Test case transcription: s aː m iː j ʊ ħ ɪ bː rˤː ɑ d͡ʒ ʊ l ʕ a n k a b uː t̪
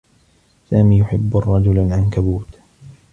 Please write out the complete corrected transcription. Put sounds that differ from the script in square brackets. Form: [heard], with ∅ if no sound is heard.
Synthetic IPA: s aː m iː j ʊ ħ ɪ bː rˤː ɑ d͡ʒ ʊ l ʕ a n k a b uː t̪